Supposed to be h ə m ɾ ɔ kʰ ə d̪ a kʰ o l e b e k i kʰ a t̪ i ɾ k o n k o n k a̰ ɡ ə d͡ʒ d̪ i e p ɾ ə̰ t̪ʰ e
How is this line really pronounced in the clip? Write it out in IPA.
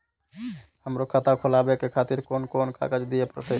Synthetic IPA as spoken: h ə m ɾ o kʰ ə t̪ a kʰ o l a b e k e kʰ a t̪ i ɾ k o n k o n k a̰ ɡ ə d͡ʒ d̪ i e p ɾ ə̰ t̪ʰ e